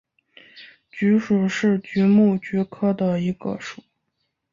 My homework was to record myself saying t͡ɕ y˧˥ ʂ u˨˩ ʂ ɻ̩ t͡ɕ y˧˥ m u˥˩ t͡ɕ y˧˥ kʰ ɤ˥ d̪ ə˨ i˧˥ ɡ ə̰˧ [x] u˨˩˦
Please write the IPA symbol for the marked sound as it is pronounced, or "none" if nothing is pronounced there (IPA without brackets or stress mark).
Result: ʂ